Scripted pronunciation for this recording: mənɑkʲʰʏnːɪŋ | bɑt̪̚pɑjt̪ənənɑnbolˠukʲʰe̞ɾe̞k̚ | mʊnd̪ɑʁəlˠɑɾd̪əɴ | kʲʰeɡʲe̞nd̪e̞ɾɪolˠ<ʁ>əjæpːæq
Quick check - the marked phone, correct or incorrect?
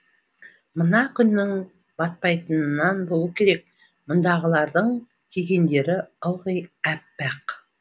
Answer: correct